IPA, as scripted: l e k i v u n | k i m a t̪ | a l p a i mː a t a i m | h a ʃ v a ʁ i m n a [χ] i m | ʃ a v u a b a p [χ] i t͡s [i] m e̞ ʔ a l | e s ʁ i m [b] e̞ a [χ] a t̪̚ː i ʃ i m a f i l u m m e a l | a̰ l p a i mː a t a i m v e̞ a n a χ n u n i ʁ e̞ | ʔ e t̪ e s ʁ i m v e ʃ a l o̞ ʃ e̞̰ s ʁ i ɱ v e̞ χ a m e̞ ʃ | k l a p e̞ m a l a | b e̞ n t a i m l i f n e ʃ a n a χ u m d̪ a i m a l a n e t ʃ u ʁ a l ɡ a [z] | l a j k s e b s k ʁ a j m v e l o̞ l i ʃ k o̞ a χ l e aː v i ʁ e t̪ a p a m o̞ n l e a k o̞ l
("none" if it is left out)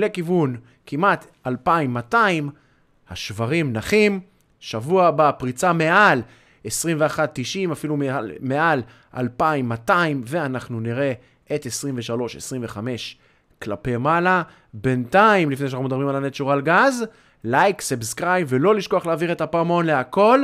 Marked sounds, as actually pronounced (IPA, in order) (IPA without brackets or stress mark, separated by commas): χ, ʁ, a, v, χ, z